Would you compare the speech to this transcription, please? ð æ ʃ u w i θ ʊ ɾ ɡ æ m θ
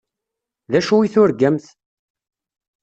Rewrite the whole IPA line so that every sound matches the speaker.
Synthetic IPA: ð æ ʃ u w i θ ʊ ɾ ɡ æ m θ

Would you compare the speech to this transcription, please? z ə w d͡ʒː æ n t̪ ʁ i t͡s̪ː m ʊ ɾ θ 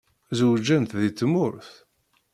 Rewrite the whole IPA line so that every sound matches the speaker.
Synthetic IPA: z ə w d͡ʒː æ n t̪ ð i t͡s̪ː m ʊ ɾ θ

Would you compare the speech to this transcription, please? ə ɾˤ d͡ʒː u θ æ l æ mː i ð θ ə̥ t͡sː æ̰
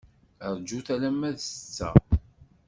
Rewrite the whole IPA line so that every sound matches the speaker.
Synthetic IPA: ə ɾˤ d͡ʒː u θ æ l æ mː æ ð s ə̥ t͡sː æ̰

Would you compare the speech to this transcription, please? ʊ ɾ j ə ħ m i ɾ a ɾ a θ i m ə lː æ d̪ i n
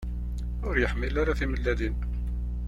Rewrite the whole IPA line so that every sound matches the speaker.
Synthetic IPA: ʊ ɾ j ə ħ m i l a ɾ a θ i m ə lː æ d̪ i n

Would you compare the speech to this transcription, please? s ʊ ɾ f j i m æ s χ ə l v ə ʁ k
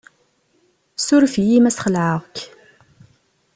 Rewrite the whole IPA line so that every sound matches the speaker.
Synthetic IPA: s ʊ ɾ f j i m æ s χ ə l ʕ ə ʁ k

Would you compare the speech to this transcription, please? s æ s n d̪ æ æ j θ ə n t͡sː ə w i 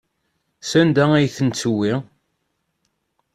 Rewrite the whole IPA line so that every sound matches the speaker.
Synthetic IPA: s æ n d̪ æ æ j θ ə n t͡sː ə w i

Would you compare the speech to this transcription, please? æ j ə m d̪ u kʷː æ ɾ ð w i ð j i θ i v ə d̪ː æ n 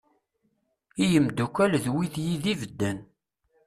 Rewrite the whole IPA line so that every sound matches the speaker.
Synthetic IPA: i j ə m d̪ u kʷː æ l ð w i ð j i ð i v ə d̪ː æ n

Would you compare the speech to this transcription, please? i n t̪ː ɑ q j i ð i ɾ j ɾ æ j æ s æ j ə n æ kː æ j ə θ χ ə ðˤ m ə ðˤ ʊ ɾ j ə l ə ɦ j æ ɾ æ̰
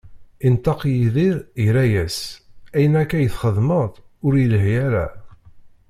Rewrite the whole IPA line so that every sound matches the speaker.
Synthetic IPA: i n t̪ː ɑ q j i ð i ɾ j ɾ æ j æ s æ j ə n æ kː æ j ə θ χ ə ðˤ m ə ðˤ ʊ ɾ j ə l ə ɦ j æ ɾ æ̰

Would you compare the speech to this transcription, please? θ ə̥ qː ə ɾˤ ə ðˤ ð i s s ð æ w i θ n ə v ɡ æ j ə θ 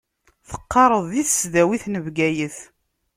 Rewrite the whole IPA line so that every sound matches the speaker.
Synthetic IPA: θ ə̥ qː ɑ ɾˤ ə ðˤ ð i θ s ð æ w i θ n ə v ɡ æ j ə θ

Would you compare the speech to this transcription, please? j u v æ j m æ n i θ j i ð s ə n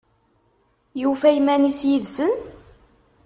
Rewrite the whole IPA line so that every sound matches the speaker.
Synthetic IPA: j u f æ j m æ n i s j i ð s ə n

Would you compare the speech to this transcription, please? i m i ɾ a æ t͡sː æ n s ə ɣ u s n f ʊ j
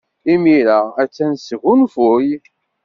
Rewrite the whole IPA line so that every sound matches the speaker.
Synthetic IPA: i m i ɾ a æ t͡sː æ n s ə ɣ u n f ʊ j

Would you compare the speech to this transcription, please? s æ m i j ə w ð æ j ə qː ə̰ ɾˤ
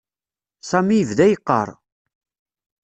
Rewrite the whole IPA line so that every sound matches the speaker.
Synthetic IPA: s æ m i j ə v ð æ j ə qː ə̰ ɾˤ

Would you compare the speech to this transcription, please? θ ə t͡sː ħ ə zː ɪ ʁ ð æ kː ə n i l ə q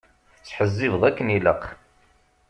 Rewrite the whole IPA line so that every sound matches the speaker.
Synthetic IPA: θ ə t͡sː ħ ə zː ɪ v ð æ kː ə n i l ə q

